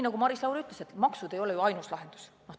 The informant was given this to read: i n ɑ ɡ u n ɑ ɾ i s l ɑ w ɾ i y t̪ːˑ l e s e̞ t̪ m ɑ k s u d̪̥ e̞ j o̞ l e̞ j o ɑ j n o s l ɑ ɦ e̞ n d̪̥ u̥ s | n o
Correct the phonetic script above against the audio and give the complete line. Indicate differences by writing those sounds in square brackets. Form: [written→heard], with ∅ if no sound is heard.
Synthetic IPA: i n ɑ ɡ u [n→m] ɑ ɾ i s l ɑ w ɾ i y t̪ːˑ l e s e̞ t̪ m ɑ k s u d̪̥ e̞ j o̞ l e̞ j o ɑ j n [o→u] s l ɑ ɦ e̞ n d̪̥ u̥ s | n o